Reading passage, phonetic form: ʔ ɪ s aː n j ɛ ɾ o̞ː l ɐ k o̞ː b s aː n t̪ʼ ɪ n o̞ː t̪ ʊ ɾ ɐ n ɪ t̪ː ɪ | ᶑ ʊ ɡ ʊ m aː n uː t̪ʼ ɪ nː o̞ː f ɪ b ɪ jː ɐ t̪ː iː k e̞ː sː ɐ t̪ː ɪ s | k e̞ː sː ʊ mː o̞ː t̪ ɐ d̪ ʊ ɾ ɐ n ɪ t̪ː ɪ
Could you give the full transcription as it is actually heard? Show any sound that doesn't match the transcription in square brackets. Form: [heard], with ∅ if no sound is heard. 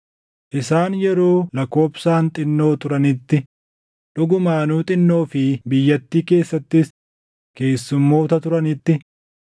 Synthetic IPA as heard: ʔ ɪ s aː n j ɛ ɾ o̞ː l ɐ k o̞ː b s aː n t̪ʼ ɪ [nː] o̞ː t̪ ʊ ɾ ɐ n ɪ t̪ː ɪ | ᶑ ʊ ɡ ʊ m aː n uː t̪ʼ ɪ nː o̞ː f ɪ b ɪ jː ɐ t̪ː iː k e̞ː sː ɐ t̪ː ɪ s | k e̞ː sː ʊ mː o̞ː t̪ ɐ [t̪] ʊ ɾ ɐ n ɪ t̪ː ɪ